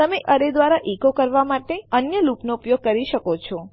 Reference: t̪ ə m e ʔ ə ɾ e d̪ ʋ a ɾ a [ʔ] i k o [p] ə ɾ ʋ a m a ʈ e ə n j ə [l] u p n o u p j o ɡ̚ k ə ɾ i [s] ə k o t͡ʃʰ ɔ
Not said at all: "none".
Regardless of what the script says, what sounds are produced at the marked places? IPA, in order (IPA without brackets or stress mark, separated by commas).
ʔ, k, l, ʃ